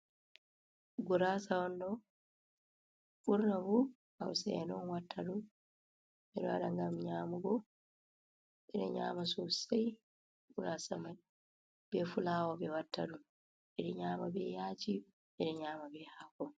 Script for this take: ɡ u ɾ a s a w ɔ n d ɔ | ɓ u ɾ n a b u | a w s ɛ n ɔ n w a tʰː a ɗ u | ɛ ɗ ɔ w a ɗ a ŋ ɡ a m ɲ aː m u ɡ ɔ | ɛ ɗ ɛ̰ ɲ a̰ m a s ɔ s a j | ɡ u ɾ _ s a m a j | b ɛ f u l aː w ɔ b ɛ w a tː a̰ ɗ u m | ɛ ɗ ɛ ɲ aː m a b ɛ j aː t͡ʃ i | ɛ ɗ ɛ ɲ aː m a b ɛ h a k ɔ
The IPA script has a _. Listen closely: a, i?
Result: a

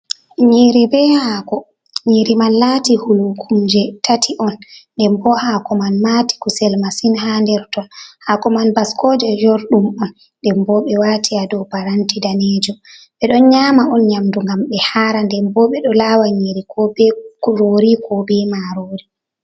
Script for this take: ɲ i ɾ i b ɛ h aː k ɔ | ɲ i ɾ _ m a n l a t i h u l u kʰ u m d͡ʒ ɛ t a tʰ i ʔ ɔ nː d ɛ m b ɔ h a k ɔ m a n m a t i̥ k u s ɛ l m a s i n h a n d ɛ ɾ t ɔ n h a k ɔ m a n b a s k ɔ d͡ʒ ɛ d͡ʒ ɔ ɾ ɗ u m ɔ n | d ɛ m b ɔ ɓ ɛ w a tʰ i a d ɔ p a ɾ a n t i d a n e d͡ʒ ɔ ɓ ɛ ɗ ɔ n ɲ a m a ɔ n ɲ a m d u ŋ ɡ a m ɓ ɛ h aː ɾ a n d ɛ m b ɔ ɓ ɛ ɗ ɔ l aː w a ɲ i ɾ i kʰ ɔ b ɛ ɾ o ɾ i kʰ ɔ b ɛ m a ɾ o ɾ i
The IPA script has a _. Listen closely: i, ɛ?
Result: i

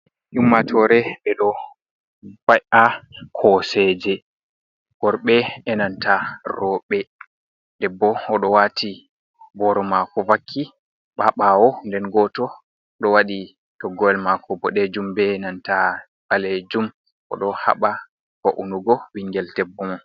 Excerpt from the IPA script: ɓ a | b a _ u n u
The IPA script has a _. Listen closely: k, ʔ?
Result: ʔ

